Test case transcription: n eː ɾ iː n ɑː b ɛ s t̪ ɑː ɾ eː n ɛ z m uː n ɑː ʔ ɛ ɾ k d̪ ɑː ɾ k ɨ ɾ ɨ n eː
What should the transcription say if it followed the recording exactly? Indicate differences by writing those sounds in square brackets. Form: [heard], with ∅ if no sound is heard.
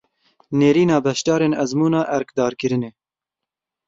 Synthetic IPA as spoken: n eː ɾ iː n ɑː b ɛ [ʃ] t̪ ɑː ɾ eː n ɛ z m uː n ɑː ʔ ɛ ɾ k d̪ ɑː ɾ k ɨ ɾ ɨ n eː

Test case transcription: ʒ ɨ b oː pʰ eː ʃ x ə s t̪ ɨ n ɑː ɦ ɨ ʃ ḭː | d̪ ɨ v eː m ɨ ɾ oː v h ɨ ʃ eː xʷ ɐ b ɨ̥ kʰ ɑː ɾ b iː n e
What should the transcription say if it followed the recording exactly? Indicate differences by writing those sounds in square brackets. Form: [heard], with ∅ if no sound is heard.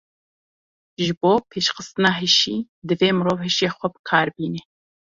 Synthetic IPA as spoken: ʒ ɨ b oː pʰ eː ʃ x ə s t̪ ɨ n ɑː ɦ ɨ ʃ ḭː | d̪ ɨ v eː m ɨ ɾ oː v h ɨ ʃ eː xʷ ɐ b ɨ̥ kʰ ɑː ɾ b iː n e

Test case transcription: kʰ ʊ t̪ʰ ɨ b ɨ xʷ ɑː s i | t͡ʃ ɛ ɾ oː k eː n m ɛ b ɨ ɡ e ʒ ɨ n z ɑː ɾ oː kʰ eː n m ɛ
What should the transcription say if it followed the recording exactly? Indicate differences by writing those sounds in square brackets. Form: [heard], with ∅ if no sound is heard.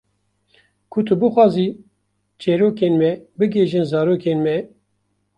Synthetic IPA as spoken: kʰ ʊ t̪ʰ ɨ b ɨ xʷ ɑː [z] i | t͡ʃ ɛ ɾ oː k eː n m ɛ b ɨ ɡ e ʒ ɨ n z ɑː ɾ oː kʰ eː n m ɛ

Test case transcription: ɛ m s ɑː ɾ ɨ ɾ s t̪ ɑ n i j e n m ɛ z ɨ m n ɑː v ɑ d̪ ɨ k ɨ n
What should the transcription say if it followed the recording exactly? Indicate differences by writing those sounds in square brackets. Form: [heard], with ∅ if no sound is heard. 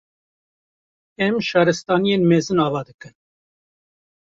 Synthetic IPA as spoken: ɛ m [ʃ] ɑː ɾ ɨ [∅] s t̪ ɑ n i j e n m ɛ z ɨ [∅] n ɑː v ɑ d̪ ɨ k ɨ n

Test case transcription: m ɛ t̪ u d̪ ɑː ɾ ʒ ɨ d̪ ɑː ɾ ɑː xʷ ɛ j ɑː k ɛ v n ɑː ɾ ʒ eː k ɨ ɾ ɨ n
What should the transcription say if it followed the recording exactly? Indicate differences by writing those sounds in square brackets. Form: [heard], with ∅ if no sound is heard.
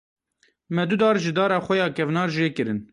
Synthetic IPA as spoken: m ɛ [d̪] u d̪ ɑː ɾ ʒ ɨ d̪ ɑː ɾ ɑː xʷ ɛ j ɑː k ɛ v n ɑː ɾ ʒ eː k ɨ ɾ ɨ n

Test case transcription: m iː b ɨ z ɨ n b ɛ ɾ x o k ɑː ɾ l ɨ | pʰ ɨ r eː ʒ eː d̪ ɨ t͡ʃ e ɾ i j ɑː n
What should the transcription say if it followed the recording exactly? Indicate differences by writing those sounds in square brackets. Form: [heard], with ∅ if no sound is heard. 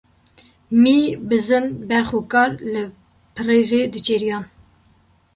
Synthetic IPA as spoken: m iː b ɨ z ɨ n b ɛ ɾ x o k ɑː ɾ l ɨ | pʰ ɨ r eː [z] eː d̪ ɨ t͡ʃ e ɾ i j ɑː n

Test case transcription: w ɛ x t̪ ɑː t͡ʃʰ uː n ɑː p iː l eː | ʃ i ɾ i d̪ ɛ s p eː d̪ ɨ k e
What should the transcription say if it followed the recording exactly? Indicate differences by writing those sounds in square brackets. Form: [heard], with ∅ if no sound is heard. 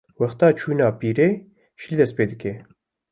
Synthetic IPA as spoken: w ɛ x t̪ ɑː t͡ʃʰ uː n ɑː p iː [ɾ] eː | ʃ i [l] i d̪ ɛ s p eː d̪ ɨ k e

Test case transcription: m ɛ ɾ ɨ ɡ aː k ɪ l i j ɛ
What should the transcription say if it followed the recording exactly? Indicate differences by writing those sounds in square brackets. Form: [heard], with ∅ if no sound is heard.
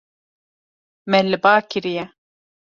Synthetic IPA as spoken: m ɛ [l] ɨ [b] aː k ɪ [ɾ] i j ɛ

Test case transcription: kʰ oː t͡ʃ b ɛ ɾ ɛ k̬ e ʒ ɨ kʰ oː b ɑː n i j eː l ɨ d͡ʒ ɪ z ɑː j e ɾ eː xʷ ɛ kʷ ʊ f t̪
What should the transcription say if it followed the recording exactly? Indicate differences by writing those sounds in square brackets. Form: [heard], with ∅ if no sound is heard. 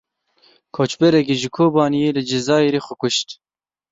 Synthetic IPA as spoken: kʰ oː t͡ʃ b ɛ ɾ ɛ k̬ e ʒ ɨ kʰ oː b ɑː n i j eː l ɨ d͡ʒ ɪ z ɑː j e ɾ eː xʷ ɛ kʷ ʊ [ʃ] t̪

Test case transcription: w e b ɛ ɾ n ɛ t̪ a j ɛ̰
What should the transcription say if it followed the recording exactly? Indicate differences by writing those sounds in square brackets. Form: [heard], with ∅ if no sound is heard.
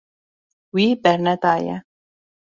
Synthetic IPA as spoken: w [i] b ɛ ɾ n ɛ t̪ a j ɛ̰

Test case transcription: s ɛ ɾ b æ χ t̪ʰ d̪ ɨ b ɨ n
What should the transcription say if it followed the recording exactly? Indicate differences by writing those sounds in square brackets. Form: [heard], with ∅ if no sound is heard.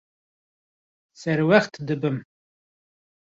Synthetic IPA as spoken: s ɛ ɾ [w] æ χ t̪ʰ d̪ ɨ b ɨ [m]

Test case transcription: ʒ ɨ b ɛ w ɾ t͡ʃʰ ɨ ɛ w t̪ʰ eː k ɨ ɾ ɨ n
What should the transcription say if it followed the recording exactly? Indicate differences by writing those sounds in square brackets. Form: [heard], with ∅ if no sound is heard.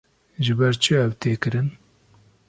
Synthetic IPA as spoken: ʒ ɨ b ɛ [∅] ɾ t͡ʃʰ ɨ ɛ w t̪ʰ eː k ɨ ɾ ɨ n

